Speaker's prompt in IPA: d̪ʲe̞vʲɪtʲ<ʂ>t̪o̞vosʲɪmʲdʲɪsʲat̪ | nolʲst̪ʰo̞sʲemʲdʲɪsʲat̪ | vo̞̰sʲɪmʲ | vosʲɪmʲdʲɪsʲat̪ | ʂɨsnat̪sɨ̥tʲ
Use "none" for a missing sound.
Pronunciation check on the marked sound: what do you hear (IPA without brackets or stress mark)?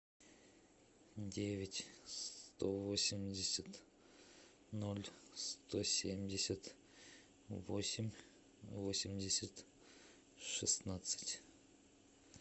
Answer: s